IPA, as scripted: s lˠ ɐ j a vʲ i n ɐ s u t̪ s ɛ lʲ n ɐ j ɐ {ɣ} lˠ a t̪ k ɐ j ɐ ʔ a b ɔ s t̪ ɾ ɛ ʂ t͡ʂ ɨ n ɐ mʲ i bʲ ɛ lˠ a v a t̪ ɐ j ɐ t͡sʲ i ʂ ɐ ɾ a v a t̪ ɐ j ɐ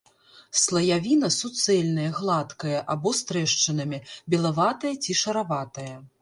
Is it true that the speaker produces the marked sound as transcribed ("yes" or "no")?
yes